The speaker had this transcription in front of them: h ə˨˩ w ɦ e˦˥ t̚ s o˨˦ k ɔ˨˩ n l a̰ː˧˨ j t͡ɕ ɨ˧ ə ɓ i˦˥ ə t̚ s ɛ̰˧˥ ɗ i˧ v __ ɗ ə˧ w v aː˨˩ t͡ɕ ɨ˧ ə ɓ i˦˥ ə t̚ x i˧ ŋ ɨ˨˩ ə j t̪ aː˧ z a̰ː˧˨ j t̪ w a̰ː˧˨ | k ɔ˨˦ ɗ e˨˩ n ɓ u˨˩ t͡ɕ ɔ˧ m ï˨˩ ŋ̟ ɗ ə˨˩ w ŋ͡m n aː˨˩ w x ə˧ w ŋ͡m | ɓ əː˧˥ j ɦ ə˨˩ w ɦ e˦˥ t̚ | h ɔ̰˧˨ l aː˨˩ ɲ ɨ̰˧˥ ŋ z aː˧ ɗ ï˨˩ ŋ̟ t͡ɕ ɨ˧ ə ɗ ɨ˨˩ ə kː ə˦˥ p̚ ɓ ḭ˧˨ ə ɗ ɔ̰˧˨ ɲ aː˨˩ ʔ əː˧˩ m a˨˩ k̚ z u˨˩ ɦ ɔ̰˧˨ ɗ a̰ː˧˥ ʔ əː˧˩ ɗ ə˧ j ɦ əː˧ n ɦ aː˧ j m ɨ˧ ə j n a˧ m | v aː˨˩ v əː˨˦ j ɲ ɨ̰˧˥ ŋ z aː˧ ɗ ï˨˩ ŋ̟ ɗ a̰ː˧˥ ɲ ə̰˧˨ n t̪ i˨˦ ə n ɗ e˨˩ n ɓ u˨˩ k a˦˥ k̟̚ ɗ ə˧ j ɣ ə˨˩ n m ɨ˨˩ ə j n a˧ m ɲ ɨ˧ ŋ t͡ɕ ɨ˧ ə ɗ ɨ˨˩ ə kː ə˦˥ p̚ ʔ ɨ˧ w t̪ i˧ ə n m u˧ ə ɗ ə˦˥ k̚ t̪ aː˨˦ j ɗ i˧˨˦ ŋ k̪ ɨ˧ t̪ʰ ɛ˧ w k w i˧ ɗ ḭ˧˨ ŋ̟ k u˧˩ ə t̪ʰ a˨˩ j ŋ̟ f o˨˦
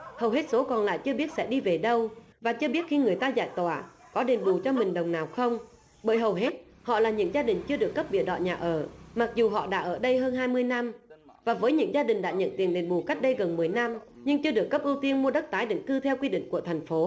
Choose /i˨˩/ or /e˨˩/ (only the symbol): e˨˩